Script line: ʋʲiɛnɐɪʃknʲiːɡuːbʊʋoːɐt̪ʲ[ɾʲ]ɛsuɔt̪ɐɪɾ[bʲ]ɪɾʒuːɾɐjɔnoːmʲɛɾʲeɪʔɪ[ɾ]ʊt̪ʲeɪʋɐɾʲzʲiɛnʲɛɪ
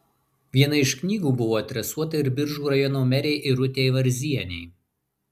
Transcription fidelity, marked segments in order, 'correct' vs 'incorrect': correct, correct, correct

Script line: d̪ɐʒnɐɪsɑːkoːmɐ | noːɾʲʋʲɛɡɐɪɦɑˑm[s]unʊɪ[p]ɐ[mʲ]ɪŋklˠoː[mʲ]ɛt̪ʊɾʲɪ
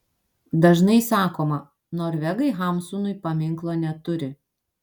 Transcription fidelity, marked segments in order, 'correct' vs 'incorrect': correct, correct, correct, incorrect

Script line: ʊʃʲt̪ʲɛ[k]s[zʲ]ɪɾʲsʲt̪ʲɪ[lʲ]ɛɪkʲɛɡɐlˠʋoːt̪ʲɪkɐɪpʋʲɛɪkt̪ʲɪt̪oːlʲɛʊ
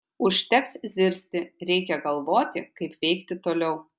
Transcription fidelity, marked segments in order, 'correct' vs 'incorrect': correct, correct, incorrect

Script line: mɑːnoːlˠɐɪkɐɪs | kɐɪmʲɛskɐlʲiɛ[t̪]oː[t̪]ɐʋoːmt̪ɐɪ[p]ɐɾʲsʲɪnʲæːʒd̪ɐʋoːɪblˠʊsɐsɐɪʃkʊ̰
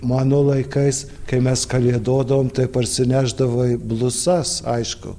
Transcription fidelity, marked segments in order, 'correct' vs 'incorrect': incorrect, incorrect, correct

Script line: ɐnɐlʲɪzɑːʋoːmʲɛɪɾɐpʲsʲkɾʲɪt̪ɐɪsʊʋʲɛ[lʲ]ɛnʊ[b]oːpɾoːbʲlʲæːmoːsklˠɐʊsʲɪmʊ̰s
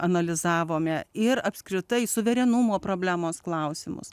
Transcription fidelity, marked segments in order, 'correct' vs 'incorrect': incorrect, incorrect

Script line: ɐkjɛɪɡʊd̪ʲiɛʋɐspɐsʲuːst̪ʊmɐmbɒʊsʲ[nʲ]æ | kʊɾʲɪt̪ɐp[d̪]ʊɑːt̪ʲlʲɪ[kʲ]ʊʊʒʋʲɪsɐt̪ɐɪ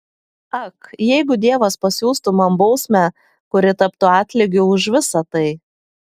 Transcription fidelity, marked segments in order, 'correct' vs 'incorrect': incorrect, incorrect, incorrect

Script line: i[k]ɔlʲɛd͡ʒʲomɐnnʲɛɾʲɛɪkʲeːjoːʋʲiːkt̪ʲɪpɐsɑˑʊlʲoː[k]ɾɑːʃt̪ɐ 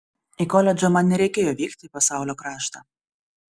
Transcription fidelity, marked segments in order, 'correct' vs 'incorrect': correct, correct

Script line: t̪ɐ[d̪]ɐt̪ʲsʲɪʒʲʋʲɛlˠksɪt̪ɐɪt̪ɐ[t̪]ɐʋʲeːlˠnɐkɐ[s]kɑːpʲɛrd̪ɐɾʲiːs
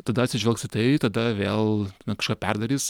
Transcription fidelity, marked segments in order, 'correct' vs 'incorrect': correct, incorrect, incorrect

